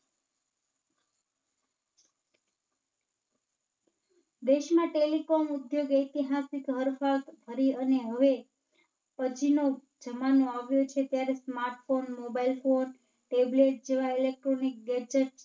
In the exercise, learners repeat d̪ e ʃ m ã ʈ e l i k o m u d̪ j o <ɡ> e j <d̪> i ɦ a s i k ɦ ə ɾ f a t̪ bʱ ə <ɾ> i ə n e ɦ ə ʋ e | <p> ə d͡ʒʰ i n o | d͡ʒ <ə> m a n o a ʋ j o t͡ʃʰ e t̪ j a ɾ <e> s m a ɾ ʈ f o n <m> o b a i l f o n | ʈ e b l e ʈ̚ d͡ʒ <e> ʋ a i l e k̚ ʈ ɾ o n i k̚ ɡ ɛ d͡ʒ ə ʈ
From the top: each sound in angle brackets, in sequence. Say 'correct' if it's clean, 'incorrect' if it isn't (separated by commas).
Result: correct, incorrect, correct, correct, correct, correct, correct, correct